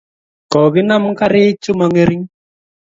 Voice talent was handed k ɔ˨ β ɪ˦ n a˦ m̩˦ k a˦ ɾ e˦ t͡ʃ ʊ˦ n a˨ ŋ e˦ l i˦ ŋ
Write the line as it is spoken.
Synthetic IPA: k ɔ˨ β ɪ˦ n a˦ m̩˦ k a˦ ɾ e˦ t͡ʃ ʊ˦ m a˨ ŋ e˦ ɾ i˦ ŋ